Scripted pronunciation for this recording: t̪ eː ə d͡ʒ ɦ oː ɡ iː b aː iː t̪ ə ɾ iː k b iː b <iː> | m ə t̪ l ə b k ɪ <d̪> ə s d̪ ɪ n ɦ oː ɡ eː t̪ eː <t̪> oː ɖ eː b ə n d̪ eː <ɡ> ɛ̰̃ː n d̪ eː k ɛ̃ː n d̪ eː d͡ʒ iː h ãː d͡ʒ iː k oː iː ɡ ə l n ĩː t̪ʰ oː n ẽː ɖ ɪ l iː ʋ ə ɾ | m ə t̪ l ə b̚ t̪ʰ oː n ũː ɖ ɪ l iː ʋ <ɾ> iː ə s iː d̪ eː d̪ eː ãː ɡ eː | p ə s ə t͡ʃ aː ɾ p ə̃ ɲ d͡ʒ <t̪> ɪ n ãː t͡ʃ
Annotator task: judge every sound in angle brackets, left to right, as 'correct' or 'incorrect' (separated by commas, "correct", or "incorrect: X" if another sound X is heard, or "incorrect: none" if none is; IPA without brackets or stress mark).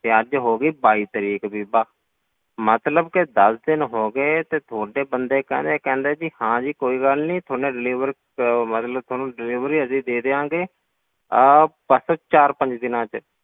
incorrect: aː, correct, incorrect: t̪ʰ, incorrect: k, correct, incorrect: d̪